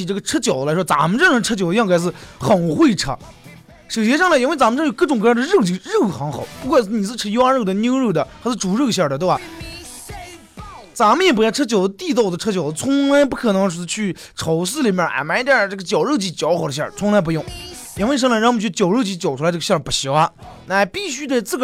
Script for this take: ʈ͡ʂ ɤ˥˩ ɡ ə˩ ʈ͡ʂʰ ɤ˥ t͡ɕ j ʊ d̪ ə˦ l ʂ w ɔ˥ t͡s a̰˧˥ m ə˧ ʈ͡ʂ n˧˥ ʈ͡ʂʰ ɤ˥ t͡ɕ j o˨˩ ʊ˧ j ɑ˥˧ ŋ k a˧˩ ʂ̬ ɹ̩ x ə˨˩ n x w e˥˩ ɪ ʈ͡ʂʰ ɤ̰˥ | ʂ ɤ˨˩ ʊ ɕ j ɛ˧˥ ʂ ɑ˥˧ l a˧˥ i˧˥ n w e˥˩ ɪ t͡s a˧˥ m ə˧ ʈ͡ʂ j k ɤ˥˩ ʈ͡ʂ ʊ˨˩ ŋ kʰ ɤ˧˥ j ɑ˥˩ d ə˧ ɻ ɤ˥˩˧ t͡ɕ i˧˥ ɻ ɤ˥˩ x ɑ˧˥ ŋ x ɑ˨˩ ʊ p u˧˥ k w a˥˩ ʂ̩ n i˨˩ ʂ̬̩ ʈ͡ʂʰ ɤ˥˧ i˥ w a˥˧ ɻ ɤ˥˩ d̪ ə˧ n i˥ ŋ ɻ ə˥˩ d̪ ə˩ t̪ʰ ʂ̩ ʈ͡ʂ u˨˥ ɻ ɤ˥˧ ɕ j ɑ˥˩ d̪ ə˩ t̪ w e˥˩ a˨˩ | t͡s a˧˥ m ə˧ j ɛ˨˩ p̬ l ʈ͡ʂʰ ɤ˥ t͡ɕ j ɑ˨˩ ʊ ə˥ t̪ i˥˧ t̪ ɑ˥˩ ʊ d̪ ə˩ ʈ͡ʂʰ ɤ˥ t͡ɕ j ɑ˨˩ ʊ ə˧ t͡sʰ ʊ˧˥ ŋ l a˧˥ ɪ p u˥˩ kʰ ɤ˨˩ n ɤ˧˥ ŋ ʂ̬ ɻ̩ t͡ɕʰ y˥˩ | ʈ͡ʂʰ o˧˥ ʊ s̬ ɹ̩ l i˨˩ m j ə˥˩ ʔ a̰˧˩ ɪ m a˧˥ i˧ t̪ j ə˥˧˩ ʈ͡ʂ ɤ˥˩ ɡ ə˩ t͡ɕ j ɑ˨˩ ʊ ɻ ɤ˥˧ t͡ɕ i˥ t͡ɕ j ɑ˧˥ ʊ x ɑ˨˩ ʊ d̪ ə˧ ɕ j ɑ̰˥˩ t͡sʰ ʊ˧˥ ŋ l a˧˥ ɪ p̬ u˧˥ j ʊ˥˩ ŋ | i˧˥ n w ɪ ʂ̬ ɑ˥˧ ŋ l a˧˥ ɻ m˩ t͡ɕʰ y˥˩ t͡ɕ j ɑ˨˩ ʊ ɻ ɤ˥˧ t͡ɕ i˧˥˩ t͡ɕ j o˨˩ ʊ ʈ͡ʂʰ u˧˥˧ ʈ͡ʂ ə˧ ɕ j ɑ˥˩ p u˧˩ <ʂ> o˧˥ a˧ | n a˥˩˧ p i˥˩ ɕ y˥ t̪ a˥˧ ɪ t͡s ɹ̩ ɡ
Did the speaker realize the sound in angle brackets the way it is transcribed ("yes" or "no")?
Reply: no